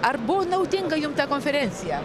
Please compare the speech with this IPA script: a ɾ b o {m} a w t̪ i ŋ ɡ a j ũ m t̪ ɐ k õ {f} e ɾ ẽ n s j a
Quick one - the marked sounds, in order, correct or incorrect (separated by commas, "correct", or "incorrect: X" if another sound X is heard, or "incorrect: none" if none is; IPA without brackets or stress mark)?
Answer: incorrect: n, correct